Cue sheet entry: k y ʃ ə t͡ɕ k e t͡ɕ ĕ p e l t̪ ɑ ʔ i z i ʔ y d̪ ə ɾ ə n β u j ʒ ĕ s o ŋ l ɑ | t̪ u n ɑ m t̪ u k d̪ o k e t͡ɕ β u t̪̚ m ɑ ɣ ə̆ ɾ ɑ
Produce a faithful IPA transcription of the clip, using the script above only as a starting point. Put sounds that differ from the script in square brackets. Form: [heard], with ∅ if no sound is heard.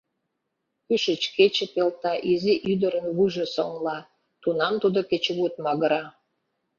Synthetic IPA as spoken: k y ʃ ə t͡ɕ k e t͡ɕ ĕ p e l t̪ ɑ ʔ i z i ʔ y d̪ ə ɾ ə n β u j ʒ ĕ s o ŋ l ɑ | t̪ u n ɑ m t̪ u [∅] d̪ o k e t͡ɕ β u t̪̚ m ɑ ɣ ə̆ ɾ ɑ